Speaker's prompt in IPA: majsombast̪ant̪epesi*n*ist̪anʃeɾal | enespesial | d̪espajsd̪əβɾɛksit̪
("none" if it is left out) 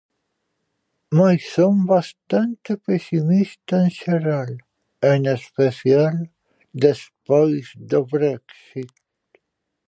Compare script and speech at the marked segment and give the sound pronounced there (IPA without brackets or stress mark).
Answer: m